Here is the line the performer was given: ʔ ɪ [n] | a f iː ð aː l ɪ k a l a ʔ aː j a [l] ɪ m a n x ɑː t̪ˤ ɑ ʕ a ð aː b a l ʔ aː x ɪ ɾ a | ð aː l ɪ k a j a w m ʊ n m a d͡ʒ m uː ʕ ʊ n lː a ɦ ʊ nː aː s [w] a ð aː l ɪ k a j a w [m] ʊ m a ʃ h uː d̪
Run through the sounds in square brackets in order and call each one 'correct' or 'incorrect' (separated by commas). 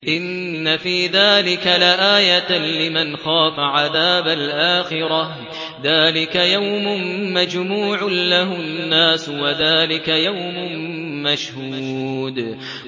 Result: incorrect, correct, correct, correct